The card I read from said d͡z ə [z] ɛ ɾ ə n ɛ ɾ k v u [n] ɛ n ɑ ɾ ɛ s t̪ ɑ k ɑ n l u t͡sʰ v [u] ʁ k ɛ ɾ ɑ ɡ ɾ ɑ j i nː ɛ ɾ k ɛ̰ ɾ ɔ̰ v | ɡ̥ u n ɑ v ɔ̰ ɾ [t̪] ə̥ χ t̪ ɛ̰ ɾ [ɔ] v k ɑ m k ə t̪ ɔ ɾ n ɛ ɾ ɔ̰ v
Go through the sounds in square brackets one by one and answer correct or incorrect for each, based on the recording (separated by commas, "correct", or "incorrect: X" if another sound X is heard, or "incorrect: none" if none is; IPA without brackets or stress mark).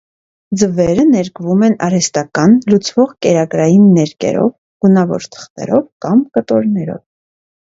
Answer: incorrect: v, incorrect: m, incorrect: ɔ, incorrect: t̪ʰ, correct